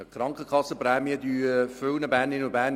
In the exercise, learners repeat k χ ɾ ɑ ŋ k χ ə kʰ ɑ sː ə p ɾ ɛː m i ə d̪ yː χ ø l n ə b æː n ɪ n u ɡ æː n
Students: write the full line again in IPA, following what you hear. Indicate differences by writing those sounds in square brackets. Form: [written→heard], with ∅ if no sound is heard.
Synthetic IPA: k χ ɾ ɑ ŋ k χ ə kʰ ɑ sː ə p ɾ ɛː m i ə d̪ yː [χ→f] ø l n ə b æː n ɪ n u [ɡ→b] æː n

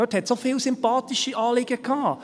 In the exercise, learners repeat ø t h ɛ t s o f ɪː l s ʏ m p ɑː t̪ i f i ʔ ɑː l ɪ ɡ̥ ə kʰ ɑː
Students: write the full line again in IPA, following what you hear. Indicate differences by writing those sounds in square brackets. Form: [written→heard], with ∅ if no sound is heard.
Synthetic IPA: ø t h ɛ t s o f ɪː l s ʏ m p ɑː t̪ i [f→ʃ] i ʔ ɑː l ɪ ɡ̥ ə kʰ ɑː

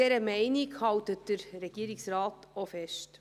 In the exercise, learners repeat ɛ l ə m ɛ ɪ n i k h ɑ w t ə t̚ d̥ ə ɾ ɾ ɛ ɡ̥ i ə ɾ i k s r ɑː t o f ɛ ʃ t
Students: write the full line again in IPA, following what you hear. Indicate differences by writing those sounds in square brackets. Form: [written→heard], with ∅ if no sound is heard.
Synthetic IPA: ɛ [l→ɾ] ə m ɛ ɪ n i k h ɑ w t ə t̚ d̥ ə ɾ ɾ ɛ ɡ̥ i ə ɾ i k s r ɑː t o f ɛ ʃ t

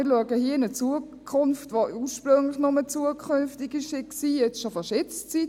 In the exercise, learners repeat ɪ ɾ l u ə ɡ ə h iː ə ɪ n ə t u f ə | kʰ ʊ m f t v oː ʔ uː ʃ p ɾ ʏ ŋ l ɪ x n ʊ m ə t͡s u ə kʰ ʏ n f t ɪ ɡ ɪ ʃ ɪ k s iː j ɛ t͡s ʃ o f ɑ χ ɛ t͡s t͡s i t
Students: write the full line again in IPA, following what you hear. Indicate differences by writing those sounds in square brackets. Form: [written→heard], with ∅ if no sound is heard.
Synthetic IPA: ɪ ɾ l u ə ɡ ə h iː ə ɪ n ə [t→t͡s] u [f→∅] ə | kʰ ʊ [m→n] f t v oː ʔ uː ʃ p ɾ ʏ ŋ l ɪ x n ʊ m ə t͡s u ə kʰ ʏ n f t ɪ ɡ ɪ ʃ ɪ k s iː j ɛ t͡s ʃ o f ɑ [χ→ʃ] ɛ t͡s t͡s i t

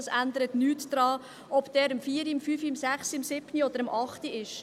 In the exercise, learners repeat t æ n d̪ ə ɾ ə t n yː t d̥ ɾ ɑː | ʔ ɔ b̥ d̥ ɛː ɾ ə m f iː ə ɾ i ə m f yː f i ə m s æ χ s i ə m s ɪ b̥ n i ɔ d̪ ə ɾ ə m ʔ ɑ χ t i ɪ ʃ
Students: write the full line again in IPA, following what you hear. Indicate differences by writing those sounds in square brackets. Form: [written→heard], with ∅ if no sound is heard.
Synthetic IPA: [t→s] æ n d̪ ə ɾ ə t n yː t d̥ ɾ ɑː | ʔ ɔ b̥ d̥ ɛː ɾ ə m f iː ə ɾ i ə m f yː f i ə m s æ χ s i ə m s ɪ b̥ n i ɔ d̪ ə ɾ ə m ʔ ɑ χ t i ɪ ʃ

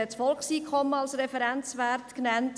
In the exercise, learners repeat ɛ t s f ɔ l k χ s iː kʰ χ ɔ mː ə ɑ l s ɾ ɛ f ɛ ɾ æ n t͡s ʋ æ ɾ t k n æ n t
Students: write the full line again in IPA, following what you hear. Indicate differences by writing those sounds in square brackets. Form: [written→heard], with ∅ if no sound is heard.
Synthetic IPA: ɛ t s f ɔ l k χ s iː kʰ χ ɔ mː ə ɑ l s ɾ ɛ f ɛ ɾ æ n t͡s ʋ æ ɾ t k n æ n t

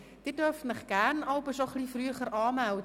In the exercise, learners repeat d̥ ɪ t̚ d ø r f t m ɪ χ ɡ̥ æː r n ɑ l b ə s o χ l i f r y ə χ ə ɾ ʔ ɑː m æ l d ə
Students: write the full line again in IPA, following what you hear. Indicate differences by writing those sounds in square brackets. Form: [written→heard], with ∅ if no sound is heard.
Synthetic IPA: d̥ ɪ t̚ d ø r f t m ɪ χ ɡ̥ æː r n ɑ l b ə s o χ l i f r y ə χ ə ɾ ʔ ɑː m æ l d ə

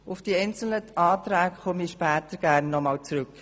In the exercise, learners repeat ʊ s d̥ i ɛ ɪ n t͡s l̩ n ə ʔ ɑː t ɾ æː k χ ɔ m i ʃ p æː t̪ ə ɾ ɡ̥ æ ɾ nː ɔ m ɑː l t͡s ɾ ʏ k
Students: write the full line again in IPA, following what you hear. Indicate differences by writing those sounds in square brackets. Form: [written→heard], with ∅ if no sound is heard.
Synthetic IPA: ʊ [s→f] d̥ i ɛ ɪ n t͡s l̩ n ə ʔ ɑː t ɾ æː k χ ɔ m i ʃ p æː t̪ ə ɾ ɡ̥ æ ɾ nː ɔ m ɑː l t͡s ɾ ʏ k

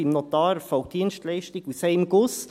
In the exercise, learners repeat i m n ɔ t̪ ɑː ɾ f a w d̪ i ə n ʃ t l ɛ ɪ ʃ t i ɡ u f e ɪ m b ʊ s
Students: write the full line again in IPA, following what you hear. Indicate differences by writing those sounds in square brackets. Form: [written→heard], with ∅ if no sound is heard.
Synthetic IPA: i m n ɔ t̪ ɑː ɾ f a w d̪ i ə n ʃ t l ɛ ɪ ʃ t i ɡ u [f→s] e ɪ m [b→ɡ] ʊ s

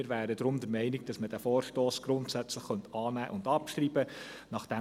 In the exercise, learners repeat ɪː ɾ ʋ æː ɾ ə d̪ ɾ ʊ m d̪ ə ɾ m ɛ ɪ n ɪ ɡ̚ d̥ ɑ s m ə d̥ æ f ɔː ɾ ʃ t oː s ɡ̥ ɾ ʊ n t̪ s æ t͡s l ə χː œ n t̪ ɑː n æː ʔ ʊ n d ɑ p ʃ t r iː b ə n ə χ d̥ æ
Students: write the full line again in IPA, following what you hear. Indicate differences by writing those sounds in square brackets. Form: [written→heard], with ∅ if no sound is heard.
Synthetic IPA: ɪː ɾ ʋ æː ɾ ə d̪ ɾ ʊ m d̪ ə ɾ m ɛ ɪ n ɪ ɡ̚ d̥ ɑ s m ə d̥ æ f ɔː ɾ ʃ t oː s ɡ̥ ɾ ʊ n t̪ s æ t͡s l ə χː œ n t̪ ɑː n æː ʔ ʊ n d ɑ p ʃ t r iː b ə n [ə→ɑ] χ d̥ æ

